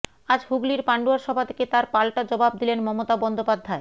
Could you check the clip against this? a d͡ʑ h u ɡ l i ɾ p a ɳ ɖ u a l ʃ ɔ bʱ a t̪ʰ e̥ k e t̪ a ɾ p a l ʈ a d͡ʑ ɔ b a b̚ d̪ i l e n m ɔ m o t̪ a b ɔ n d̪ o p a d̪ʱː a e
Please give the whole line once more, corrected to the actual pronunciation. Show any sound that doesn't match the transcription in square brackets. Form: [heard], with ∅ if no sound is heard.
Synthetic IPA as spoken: a d͡ʑ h u ɡ l i ɾ p a ɳ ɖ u a [ɾ] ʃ ɔ bʱ a t̪ʰ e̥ k e t̪ a ɾ p a l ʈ a d͡ʑ ɔ b a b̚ d̪ i l e n m ɔ m o t̪ a b ɔ n d̪ o p a d̪ʱː a e